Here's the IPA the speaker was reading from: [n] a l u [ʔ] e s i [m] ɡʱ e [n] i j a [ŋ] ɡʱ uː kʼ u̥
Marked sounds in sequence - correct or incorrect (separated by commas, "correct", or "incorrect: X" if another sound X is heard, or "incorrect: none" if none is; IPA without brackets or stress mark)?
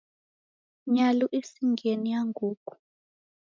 incorrect: ɲ, correct, incorrect: ŋ, correct, correct